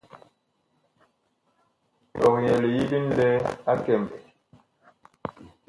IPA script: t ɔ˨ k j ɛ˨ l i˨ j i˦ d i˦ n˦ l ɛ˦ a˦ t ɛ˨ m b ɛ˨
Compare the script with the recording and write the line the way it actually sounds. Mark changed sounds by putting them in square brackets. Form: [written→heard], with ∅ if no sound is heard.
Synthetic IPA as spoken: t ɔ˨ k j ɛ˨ l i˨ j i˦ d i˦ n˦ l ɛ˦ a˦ [t→k] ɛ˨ m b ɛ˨